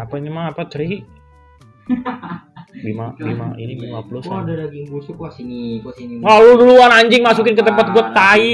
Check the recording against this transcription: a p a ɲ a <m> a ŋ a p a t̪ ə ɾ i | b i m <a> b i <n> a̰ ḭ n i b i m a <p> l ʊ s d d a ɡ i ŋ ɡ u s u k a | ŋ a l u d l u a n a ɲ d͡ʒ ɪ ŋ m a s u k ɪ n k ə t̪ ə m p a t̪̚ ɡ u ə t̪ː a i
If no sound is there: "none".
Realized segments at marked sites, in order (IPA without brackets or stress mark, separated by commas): m, a, m, p